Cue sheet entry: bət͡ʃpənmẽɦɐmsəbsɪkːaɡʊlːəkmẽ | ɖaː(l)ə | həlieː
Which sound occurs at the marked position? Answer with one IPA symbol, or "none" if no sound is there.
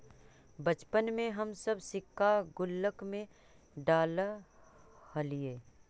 l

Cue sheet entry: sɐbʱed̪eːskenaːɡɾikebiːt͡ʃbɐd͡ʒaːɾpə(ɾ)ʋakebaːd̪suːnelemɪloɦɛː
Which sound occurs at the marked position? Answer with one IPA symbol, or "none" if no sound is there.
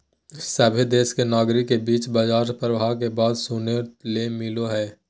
ɾ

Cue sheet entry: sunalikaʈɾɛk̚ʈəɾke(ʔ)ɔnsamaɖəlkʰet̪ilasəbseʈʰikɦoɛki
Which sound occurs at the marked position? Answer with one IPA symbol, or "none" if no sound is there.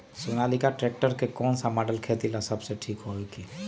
k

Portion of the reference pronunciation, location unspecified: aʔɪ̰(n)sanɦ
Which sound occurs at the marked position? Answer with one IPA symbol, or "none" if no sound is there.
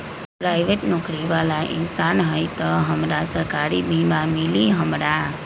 n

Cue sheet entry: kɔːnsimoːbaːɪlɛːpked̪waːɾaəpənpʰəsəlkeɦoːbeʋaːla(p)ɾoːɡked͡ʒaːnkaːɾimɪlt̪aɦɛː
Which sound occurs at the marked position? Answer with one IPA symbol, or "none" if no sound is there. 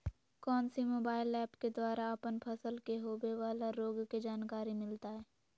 none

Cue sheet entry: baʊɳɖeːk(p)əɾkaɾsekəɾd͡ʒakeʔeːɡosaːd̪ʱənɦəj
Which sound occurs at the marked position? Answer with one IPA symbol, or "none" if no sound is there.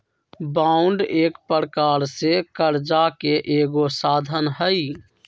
p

